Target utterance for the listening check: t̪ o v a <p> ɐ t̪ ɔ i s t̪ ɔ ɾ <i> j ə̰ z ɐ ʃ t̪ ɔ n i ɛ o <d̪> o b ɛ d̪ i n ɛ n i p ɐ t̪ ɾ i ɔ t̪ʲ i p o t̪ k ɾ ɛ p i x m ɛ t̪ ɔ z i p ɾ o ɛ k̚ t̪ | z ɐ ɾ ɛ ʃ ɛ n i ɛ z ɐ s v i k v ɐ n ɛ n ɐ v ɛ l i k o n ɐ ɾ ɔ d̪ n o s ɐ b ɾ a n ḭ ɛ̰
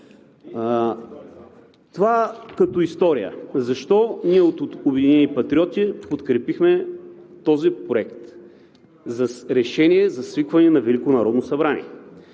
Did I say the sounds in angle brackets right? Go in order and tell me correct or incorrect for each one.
incorrect, correct, incorrect

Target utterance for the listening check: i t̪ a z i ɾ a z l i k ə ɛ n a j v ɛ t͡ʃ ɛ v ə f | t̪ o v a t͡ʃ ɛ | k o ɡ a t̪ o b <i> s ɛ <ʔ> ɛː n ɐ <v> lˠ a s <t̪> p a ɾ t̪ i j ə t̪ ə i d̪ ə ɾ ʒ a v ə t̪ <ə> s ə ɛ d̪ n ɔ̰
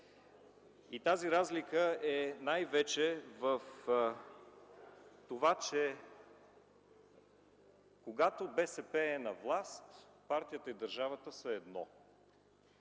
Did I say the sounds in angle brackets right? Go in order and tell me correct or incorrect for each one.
incorrect, incorrect, correct, correct, correct

